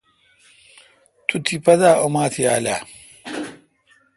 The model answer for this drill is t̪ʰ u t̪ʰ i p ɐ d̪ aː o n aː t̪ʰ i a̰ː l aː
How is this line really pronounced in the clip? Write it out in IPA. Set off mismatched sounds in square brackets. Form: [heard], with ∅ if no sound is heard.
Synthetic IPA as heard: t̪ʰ u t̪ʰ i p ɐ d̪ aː o [m] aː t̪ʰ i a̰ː l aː